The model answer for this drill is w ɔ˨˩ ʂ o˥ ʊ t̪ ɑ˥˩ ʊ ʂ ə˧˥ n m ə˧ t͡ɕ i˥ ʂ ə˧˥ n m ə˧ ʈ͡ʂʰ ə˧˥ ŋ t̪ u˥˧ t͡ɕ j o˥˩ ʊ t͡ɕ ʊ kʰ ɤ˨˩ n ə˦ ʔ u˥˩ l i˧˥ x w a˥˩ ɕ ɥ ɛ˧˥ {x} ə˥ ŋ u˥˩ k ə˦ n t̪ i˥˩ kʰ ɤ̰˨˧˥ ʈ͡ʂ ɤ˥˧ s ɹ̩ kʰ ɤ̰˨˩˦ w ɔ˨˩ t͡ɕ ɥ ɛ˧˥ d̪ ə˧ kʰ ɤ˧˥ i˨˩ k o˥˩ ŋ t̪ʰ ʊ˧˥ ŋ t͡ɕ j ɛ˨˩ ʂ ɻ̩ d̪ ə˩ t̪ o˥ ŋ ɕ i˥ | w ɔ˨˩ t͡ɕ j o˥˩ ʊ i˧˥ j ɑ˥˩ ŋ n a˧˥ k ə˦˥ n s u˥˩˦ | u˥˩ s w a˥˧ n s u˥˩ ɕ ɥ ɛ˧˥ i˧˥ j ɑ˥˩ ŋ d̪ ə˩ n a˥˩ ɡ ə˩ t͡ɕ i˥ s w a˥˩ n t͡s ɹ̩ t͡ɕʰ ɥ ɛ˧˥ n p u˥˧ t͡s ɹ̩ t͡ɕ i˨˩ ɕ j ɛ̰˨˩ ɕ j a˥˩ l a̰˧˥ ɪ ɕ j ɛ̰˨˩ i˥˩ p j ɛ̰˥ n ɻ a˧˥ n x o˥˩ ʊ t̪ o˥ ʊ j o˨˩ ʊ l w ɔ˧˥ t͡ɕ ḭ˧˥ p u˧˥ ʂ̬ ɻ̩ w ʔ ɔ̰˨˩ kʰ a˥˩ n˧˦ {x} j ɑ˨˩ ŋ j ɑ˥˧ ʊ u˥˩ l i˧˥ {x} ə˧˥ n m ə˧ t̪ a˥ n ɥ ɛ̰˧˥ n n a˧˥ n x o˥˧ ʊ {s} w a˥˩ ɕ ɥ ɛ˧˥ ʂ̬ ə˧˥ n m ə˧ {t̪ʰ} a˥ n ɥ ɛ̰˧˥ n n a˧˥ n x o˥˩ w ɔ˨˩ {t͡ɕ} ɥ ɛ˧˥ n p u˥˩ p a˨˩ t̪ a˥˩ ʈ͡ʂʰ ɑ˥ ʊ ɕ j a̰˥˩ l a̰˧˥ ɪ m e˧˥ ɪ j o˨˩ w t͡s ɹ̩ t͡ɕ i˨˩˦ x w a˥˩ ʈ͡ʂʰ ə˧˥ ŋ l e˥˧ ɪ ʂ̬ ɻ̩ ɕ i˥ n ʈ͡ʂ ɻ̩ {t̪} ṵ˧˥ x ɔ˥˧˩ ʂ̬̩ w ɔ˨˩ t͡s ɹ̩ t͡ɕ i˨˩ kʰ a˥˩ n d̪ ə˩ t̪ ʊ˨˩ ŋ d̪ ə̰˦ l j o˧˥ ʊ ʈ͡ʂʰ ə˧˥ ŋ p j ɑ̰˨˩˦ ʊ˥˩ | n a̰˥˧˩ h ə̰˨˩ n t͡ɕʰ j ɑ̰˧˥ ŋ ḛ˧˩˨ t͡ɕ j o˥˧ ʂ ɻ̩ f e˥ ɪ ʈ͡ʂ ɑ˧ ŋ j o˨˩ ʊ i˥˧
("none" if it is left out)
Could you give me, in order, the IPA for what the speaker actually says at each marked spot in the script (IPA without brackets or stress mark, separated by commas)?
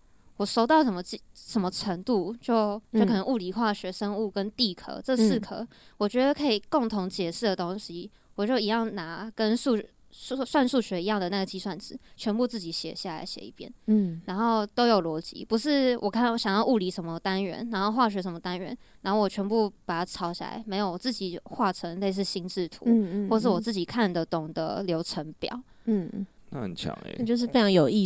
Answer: ʂ, ɕ, ʂ, x, t̪, t͡ɕʰ, t̪ʰ